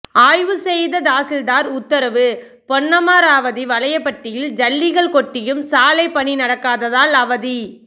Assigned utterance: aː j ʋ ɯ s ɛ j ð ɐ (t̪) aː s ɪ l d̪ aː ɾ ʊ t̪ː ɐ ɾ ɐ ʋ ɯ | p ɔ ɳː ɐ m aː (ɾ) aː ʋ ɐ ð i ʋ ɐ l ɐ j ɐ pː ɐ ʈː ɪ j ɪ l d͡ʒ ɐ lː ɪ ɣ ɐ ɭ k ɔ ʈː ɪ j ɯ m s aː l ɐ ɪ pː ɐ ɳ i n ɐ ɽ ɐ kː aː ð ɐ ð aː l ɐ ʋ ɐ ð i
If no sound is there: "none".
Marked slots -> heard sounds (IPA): d̪, ɾ

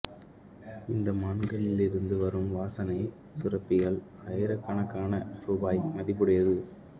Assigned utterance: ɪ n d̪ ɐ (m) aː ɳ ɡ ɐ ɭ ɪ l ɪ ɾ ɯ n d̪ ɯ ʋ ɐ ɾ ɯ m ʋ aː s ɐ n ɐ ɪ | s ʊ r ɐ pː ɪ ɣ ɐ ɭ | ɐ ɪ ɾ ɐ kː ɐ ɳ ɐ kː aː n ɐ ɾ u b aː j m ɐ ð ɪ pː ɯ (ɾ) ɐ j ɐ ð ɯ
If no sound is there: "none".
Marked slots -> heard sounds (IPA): m, ɽ

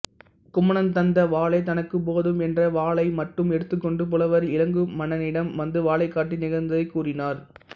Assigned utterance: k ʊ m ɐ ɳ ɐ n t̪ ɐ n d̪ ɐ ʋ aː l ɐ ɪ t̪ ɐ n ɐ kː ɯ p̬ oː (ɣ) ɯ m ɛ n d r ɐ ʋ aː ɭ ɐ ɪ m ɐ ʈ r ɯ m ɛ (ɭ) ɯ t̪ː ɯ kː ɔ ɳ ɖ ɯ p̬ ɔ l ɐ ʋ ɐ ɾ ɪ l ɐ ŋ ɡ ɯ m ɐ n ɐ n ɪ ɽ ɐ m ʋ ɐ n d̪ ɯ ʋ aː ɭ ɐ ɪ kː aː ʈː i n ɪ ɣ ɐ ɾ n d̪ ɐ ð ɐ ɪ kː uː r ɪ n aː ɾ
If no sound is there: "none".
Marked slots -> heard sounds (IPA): ð, ɽ

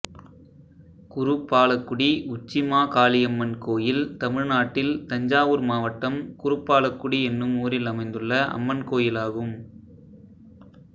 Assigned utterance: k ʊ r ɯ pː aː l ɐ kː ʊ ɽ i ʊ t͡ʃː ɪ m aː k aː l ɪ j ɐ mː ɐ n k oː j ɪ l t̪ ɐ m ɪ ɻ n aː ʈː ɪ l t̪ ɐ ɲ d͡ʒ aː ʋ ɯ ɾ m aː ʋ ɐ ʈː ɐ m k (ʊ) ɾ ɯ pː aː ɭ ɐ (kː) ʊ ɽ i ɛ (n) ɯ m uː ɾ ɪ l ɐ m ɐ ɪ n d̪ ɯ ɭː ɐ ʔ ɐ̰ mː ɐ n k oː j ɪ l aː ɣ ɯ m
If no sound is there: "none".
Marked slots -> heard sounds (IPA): ʊ, kː, nː

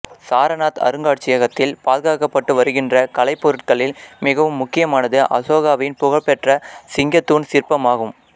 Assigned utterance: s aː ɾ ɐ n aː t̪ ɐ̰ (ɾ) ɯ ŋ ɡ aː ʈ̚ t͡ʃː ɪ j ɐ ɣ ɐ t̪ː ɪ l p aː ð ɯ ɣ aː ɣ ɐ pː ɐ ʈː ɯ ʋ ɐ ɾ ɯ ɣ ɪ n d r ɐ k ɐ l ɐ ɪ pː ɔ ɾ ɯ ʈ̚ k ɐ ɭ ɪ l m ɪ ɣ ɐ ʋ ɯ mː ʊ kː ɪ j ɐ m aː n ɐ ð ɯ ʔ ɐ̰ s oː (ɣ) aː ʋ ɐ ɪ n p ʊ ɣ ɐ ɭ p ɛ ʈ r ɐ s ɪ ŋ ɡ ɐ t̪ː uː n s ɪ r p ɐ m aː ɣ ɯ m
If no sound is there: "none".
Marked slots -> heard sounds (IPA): ɾ, ɣ

